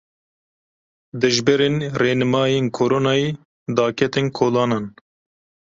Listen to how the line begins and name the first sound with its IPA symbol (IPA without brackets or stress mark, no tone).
d̪